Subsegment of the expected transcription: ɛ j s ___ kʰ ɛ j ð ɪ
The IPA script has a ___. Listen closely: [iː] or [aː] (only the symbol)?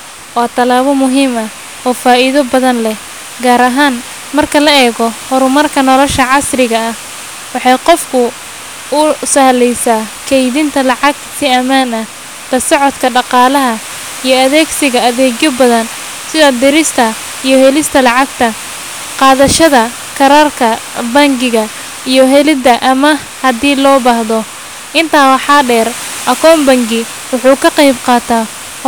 aː